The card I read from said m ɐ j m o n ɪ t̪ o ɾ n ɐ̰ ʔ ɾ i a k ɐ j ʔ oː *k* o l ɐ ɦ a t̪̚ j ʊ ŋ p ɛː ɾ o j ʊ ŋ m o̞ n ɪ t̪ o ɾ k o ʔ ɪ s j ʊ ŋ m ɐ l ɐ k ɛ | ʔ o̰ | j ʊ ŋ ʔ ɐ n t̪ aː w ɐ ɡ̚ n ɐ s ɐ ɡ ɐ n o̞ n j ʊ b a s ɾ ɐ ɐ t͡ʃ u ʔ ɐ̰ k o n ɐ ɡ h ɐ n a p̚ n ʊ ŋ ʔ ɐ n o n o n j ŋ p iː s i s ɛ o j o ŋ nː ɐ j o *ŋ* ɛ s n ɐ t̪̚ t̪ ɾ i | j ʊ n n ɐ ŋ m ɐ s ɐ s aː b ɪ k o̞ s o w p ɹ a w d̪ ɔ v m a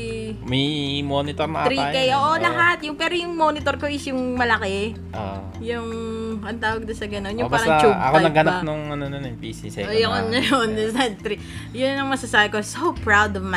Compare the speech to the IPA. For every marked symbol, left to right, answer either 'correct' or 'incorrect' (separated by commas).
incorrect, incorrect